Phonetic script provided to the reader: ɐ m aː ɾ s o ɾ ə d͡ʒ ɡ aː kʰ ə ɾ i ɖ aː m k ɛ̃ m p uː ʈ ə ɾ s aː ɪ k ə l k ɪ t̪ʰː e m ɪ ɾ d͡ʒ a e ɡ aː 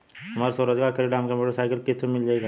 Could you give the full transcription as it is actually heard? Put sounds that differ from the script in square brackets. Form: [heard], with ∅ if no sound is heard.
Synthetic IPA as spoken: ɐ m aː ɾ s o ɾ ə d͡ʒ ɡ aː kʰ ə ɾ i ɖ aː m k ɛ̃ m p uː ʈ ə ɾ s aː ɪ k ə l k ɪ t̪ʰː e m ɪ [l] d͡ʒ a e ɡ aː

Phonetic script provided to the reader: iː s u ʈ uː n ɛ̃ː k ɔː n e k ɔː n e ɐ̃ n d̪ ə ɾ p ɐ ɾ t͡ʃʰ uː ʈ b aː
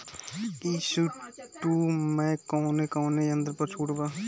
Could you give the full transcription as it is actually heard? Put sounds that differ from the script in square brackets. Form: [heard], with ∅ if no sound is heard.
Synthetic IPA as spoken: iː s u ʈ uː [m] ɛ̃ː k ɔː n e k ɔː n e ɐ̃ n d̪ ə ɾ p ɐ ɾ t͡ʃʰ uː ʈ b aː

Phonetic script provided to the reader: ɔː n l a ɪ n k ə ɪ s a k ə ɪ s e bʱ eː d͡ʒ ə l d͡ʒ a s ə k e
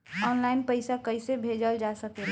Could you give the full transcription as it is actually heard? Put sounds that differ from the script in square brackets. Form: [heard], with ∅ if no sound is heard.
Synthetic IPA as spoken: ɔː n l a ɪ n [p] ə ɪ s a k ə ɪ s e bʱ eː d͡ʒ ə l d͡ʒ a s ə k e

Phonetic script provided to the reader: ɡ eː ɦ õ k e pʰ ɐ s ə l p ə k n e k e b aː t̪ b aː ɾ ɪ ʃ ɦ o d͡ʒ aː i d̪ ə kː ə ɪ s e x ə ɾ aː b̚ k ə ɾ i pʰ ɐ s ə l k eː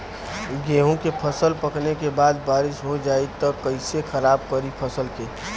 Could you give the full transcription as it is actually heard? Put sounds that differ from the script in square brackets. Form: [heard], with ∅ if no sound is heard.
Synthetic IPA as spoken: ɡ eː ɦ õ k e pʰ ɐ s ə l p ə k n e k e b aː [d̪] b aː ɾ ɪ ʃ ɦ o d͡ʒ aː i [t̪] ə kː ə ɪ s e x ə ɾ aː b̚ k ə ɾ i pʰ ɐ s ə l k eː

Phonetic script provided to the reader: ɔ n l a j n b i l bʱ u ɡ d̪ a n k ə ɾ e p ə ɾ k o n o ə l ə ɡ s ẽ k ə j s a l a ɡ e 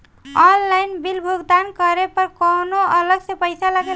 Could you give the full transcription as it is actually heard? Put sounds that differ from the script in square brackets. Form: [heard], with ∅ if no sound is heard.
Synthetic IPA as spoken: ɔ n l a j n b i l bʱ u ɡ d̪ a n k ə ɾ e p ə ɾ k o n o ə l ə ɡ s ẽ [p] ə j s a l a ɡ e

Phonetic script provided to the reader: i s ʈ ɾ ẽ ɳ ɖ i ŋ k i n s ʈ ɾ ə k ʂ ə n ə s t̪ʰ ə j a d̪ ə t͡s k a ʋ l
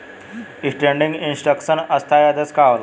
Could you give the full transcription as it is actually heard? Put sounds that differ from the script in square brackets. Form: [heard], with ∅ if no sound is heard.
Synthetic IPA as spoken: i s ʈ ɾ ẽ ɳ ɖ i ŋ [ɡ] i n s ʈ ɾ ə k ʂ ə n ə s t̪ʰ [a] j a d̪ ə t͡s k a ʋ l

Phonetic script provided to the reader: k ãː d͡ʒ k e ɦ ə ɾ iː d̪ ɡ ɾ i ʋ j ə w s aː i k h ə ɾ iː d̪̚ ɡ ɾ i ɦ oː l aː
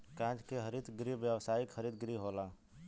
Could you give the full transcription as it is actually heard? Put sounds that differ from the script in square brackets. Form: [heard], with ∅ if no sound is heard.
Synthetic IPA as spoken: k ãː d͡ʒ k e ɦ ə ɾ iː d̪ ɡ ɾ i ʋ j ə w s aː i k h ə ɾ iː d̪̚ ɡ ɾ i ɦ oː l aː

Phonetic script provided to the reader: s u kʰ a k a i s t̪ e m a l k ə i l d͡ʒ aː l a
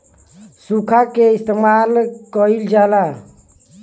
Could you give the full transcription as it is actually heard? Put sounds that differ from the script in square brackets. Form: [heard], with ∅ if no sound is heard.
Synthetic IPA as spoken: s u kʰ a k [e] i s t̪ e m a l k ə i l d͡ʒ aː l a

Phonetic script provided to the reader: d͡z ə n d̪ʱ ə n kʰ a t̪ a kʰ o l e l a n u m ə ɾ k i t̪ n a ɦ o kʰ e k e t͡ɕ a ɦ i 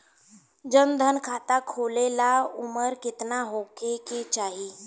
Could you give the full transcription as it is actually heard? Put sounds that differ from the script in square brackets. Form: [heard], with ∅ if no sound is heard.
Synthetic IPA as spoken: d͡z ə n d̪ʱ ə n kʰ a t̪ a kʰ o l e l a [∅] u m ə ɾ k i t̪ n a ɦ o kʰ e k e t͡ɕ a ɦ i

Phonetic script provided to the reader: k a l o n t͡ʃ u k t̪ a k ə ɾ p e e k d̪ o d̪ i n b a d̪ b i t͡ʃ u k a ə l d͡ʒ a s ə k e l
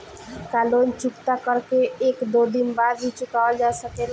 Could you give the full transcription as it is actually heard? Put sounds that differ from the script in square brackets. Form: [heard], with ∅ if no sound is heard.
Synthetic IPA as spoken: k a l o n t͡ʃ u k t̪ a k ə ɾ [k] e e k d̪ o d̪ i n b a d̪ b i t͡ʃ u k a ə l d͡ʒ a s ə k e l

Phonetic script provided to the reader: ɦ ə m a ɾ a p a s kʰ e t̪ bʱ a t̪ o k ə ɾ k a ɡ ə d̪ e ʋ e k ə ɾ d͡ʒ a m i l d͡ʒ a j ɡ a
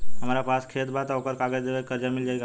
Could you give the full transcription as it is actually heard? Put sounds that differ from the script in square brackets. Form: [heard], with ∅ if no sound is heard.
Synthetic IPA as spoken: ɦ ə m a ɾ a p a s kʰ e t̪ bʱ a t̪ o k ə ɾ k a ɡ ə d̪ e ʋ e k ə ɾ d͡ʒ a m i l d͡ʒ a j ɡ a

